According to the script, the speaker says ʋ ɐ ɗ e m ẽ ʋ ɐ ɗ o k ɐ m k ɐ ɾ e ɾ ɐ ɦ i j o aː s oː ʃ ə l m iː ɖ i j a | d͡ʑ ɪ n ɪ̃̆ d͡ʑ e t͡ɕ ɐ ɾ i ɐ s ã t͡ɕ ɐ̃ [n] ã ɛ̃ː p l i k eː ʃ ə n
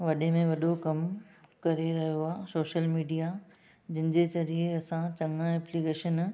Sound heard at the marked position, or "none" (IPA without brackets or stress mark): ŋ